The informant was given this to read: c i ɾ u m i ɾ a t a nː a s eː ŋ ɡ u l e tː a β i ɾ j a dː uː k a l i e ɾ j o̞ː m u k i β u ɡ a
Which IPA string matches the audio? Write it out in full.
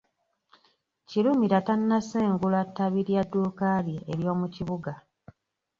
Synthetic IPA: c i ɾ u m i ɾ a t a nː a s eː ŋ ɡ u l a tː a β i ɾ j a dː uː k a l i e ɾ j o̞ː m u c i β u ɡ a